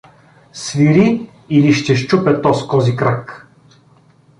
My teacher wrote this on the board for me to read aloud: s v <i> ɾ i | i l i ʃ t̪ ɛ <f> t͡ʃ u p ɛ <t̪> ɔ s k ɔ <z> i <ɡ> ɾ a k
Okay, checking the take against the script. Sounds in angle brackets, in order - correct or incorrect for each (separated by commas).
correct, incorrect, correct, correct, incorrect